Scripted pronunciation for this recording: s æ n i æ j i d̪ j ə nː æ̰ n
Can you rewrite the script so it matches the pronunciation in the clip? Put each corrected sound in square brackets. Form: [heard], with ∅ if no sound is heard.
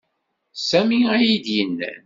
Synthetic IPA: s æ [m] i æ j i d̪ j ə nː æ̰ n